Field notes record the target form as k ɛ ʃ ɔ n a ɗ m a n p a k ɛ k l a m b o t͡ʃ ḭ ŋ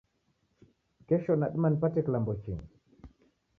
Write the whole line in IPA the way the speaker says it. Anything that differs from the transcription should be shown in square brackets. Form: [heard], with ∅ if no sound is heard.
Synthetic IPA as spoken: k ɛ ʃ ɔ n a ɗ m a n p a [t] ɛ k l a m b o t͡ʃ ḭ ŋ

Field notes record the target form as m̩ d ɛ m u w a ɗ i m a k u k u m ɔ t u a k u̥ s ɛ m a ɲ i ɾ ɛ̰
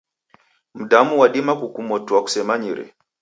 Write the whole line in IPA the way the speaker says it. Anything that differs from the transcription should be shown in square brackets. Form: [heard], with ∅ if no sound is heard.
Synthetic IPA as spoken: m̩ d [a] m u w a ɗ i m a k u k u m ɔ t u a k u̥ s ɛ m a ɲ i ɾ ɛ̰

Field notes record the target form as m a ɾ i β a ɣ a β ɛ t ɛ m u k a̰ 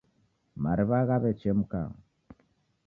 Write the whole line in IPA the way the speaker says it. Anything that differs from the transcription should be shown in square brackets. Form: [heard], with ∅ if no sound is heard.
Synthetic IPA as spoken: m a ɾ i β a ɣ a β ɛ [t͡ʃ] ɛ m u k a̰

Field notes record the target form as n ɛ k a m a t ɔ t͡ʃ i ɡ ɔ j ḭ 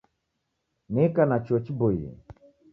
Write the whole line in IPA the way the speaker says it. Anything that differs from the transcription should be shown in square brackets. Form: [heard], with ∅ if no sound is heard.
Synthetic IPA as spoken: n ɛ k a [n] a [t͡ʃ] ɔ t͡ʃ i [b] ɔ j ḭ

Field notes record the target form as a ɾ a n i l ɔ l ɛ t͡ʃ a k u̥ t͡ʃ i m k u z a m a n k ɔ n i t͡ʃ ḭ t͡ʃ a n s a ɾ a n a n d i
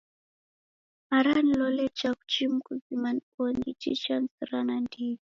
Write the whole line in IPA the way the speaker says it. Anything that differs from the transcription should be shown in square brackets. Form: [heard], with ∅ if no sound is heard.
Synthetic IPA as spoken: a ɾ a n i l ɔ l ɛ t͡ʃ a k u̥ t͡ʃ i m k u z [i] m a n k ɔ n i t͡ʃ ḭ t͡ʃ a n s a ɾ a n a n d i

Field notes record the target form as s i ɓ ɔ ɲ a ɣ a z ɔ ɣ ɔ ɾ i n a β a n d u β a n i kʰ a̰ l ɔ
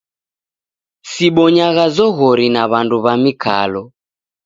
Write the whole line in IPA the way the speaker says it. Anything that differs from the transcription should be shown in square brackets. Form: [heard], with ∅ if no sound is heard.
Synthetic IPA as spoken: s i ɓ ɔ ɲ a ɣ a z ɔ ɣ ɔ ɾ i n a β a n d u β a [m] i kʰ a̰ l ɔ

